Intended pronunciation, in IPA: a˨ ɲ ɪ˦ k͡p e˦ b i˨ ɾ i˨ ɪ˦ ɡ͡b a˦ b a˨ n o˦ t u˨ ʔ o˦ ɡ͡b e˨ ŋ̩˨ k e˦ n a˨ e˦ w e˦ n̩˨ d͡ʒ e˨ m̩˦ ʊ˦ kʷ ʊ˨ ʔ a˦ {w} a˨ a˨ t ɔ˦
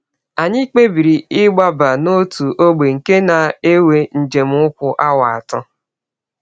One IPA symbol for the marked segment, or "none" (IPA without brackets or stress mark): w